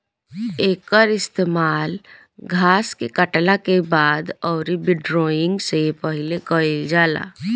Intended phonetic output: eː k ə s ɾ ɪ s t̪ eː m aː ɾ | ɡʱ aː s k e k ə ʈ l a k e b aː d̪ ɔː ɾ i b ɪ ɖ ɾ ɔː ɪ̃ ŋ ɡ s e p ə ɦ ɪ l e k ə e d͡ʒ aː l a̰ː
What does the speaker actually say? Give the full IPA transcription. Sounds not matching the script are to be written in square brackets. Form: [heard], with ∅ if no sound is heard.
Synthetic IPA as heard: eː k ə [∅] ɾ ɪ s t̪ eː m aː [l] | ɡʱ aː s k e k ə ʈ l a k e b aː d̪ ɔː ɾ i b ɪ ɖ ɾ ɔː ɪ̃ ŋ ɡ s e p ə ɦ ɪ l e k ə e d͡ʒ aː l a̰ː